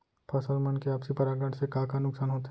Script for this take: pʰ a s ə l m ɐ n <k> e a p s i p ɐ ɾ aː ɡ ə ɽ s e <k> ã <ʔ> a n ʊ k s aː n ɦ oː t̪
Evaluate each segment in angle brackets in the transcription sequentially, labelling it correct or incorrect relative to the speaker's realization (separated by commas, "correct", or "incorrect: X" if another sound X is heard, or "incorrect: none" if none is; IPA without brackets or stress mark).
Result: correct, correct, incorrect: k